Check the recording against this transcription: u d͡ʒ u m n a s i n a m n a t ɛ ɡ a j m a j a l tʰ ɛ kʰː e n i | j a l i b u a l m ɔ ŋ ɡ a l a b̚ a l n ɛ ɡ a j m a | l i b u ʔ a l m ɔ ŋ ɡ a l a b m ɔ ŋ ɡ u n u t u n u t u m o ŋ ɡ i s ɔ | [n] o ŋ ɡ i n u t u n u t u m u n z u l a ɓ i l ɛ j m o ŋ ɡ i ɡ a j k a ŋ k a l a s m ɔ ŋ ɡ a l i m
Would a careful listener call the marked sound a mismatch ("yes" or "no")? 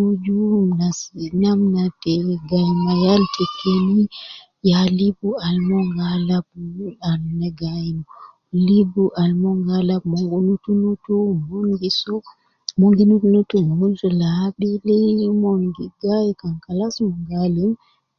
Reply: yes